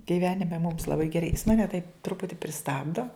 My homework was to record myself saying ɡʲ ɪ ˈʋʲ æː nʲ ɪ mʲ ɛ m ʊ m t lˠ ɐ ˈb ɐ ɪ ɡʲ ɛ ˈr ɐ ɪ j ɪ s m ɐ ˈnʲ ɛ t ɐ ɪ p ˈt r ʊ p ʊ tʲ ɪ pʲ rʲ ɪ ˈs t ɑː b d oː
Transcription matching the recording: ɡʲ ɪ ˈʋʲ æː nʲ ɪ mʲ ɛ m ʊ m s lˠ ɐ ˈb ɐ ɪ ɡʲ ɛ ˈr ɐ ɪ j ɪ s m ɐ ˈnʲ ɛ t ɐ ɪ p ˈt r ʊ p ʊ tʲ ɪ pʲ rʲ ɪ ˈs t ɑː b d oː